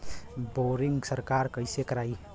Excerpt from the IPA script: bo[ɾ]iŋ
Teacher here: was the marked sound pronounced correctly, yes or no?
yes